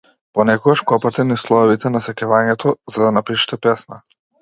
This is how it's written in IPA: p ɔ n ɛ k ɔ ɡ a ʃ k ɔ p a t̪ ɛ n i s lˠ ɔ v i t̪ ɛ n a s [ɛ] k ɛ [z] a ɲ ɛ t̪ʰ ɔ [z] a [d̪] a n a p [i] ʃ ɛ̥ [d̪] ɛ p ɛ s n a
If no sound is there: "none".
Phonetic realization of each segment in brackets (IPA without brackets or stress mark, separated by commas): ɛ, v, z, d̪, i, t̪